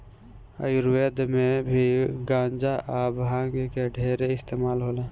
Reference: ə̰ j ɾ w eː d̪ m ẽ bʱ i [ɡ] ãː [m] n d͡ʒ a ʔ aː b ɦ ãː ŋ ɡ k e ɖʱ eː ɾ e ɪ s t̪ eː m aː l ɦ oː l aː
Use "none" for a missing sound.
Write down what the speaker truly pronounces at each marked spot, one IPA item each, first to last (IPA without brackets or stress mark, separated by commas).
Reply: ɡ, none